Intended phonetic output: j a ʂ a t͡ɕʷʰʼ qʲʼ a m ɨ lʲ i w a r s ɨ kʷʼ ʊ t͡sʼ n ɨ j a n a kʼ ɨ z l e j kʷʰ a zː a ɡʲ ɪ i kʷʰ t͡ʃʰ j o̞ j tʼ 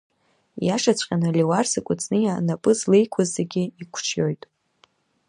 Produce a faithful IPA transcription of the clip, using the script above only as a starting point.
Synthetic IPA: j a ʂ a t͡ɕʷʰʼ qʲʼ a n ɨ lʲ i w a r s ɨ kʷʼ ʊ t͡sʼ n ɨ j a n a pʼ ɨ z l e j kʷʰ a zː e ɡʲ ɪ i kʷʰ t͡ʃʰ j o̞ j tʼ